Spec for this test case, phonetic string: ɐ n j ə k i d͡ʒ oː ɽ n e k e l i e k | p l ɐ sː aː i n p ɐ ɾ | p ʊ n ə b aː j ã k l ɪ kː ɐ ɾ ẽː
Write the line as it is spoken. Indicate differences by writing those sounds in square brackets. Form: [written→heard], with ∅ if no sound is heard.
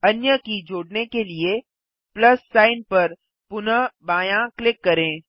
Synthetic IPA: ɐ n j ə k i d͡ʒ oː ɽ n e k e l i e [k→∅] | p l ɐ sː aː [i→ɪ] n p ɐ ɾ | p ʊ n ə b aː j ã k l ɪ kː ɐ ɾ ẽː